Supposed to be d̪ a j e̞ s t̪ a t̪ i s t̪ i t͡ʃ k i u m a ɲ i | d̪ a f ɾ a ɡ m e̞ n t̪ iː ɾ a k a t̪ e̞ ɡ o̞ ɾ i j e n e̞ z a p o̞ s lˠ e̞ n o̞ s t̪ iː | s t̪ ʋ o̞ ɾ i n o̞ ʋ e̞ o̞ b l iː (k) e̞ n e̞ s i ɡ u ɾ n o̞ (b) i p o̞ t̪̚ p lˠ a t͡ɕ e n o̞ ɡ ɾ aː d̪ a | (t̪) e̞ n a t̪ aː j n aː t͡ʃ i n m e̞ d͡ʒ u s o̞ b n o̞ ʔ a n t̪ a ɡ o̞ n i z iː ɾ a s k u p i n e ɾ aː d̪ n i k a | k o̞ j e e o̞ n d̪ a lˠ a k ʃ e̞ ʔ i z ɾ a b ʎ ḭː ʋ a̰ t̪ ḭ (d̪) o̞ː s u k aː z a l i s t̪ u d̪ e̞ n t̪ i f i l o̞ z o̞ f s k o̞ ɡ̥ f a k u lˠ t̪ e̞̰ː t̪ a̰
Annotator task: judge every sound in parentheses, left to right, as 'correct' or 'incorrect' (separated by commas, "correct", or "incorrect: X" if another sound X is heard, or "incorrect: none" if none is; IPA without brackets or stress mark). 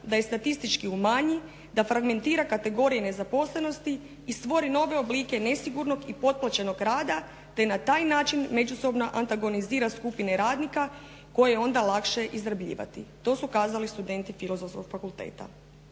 correct, incorrect: ɡ, correct, incorrect: t̪